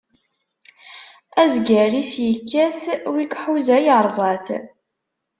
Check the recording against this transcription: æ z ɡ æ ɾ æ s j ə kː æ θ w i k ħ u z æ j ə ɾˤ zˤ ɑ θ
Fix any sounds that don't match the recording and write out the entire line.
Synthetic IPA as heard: æ z ɡ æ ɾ i s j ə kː æ θ w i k ħ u z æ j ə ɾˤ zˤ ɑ θ